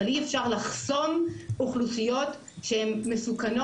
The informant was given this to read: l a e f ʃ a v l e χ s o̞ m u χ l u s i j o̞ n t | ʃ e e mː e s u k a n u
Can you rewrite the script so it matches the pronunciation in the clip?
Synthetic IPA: l i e f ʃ a ʁ l a χ s o̞ m u χ l u s i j o̞ t | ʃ e e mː e s u k a n o